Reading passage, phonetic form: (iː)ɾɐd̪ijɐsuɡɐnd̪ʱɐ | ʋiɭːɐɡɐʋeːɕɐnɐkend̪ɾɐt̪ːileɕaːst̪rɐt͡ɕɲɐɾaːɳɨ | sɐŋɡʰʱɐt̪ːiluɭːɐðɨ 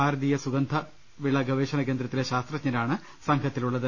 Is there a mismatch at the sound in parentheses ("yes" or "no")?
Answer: yes